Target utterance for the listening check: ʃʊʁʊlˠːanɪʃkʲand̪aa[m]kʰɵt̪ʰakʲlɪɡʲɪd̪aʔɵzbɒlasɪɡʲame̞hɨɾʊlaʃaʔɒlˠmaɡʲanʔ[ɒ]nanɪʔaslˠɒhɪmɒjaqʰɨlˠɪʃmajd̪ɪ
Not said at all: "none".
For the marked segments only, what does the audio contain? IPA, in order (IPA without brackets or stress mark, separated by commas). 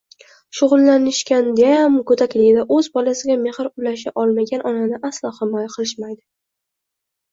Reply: m, ɒ